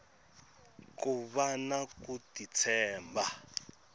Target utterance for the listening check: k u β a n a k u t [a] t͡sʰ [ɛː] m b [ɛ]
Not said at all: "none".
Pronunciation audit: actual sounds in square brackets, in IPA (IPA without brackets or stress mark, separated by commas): i, ɛː, a